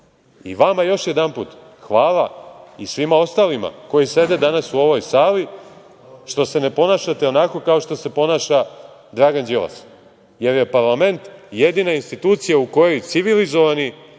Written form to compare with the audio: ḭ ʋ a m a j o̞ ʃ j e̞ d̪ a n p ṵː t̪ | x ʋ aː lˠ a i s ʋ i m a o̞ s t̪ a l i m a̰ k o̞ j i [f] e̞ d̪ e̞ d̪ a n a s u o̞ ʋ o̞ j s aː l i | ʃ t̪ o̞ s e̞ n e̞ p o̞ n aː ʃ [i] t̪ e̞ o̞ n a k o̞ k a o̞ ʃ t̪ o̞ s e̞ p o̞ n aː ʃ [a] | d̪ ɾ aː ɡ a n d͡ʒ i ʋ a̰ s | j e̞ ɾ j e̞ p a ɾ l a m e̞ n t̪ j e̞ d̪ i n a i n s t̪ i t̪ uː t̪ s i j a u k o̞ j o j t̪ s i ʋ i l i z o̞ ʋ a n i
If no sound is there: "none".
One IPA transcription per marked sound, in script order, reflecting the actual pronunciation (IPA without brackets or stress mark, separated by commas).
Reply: s, a, a